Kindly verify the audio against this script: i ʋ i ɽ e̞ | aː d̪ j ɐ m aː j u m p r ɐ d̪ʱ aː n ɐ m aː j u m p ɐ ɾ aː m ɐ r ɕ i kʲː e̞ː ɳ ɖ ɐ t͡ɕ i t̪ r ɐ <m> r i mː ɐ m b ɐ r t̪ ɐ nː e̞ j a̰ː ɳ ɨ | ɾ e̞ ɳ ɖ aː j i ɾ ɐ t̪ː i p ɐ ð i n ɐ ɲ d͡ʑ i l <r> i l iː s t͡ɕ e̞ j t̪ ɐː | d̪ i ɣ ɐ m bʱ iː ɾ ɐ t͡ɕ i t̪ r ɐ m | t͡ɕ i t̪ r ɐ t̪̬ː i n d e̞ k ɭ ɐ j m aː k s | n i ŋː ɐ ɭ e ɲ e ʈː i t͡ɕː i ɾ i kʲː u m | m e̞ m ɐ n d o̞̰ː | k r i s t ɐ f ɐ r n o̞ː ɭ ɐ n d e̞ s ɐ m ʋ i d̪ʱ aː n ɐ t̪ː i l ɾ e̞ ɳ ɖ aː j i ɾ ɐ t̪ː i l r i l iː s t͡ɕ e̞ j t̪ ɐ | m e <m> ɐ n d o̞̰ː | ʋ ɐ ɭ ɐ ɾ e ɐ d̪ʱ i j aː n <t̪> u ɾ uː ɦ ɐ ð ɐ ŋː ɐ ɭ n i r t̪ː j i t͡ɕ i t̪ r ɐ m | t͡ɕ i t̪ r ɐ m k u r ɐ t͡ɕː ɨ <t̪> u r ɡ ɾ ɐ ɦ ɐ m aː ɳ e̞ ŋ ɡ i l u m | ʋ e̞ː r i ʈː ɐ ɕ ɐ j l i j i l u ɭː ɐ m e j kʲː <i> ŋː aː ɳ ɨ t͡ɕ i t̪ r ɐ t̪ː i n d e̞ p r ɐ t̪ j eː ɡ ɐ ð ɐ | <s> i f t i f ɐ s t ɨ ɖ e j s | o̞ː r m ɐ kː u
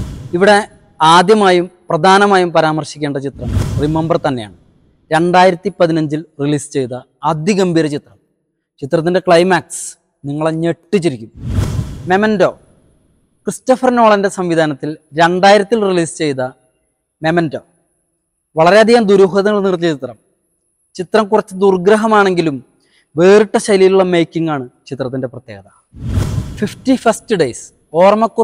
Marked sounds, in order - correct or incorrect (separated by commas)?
correct, correct, correct, incorrect, incorrect, correct, incorrect